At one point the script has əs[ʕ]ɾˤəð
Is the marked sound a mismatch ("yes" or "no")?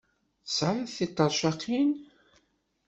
no